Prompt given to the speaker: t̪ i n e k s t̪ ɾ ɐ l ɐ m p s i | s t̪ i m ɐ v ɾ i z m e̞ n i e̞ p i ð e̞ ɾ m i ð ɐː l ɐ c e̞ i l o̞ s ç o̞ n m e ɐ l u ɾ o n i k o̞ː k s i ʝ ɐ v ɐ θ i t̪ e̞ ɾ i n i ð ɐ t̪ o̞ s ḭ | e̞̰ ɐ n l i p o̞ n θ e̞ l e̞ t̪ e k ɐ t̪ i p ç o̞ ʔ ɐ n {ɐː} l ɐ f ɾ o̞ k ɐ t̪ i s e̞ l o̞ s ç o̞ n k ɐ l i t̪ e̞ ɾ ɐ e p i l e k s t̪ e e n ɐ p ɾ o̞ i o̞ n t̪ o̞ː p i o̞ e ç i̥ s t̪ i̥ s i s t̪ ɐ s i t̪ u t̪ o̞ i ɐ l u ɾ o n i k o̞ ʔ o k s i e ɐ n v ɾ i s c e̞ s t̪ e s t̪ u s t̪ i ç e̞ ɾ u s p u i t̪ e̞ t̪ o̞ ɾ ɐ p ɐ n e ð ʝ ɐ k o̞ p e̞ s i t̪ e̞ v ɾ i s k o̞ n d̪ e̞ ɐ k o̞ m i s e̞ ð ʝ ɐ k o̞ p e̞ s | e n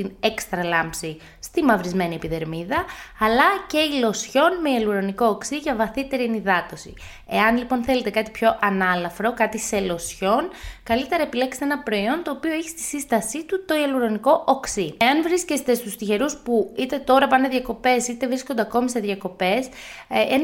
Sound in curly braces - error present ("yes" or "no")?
yes